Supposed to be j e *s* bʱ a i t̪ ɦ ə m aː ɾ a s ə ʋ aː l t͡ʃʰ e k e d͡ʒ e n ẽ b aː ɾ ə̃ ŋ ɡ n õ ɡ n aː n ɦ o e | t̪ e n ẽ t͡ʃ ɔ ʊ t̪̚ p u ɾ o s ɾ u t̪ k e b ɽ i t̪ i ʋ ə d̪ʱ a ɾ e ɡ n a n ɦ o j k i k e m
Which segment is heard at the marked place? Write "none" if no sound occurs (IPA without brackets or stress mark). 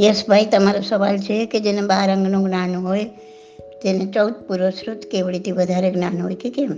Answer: s